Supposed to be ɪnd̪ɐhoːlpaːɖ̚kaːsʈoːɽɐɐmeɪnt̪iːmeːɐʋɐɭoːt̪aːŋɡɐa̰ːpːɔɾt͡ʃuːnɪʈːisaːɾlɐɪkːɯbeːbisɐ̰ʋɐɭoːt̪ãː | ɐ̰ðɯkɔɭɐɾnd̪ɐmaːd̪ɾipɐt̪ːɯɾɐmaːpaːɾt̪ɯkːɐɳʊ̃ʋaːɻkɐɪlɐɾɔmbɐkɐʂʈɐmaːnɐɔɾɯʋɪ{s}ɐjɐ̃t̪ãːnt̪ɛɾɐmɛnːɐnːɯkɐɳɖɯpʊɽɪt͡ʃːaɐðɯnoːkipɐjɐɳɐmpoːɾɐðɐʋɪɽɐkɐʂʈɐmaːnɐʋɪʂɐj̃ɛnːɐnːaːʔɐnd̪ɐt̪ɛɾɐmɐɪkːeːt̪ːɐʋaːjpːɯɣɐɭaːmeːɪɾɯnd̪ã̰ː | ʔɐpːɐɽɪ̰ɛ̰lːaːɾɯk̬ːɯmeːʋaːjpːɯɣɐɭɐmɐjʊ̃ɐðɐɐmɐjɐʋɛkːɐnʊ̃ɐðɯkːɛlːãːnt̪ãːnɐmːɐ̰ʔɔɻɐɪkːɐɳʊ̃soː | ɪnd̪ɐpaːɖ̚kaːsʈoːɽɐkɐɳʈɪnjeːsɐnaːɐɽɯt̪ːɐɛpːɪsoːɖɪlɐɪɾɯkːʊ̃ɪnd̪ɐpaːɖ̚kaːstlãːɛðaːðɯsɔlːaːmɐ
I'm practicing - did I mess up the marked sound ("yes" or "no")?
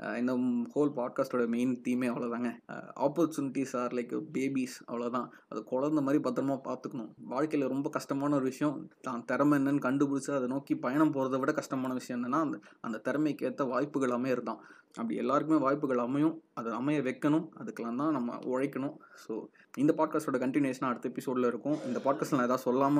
yes